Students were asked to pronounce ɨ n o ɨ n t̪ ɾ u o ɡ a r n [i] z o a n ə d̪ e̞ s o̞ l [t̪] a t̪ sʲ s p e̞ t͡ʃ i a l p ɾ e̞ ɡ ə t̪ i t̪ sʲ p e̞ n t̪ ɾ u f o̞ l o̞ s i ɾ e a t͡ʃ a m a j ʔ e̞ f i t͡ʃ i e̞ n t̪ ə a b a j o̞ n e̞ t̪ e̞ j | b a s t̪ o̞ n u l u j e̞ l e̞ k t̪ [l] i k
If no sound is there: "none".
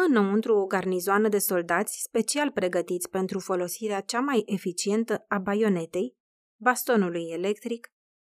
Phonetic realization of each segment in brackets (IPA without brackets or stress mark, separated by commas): i, d̪, ɾ